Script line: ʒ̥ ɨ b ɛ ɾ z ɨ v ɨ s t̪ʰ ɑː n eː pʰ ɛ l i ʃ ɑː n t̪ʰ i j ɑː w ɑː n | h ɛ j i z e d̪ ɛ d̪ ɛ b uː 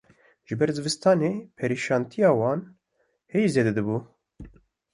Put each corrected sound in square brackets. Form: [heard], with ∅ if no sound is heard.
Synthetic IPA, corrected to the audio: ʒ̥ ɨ b ɛ ɾ z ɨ v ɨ s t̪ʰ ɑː n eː pʰ ɛ [ɾ] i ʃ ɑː n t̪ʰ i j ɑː w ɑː n | h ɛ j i z e d̪ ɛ d̪ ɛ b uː